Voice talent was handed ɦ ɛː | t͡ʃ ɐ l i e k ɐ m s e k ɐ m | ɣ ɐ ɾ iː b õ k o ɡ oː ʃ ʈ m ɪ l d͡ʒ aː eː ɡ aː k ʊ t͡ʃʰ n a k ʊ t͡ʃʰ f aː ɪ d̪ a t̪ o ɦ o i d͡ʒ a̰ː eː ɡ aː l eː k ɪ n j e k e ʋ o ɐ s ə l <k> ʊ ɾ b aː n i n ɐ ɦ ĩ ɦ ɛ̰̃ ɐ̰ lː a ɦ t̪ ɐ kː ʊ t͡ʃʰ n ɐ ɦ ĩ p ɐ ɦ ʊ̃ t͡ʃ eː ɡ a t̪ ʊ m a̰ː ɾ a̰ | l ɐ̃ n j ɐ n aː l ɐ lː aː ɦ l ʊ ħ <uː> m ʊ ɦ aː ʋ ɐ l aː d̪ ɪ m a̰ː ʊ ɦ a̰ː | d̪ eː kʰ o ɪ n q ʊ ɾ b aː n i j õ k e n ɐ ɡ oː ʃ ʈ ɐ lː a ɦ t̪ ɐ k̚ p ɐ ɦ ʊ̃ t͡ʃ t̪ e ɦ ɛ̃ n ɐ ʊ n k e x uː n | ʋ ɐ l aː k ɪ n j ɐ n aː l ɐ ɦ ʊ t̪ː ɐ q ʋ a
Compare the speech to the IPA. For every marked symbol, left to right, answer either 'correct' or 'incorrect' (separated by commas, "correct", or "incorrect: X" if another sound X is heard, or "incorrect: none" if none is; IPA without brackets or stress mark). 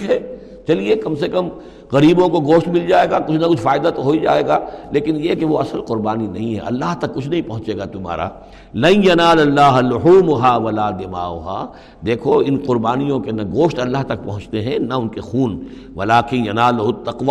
incorrect: q, correct